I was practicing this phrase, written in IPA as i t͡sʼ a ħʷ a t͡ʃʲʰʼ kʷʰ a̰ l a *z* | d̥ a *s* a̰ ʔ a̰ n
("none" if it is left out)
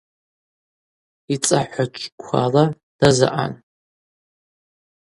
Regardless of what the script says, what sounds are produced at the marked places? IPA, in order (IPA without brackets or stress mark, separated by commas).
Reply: none, z